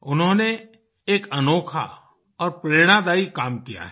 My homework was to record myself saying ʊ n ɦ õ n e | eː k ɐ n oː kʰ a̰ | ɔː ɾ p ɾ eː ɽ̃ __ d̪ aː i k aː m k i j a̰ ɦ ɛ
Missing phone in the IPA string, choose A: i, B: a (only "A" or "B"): B